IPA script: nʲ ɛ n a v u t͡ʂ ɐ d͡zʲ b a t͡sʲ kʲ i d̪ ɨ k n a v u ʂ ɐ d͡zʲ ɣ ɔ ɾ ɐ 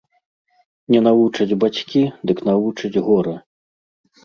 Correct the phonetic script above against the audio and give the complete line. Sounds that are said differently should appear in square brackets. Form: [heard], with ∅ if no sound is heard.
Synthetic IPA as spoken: nʲ ɛ n a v u t͡ʂ ɐ d͡zʲ b a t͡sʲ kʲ i d̪ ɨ k n a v u [t͡ʂ] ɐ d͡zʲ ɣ ɔ ɾ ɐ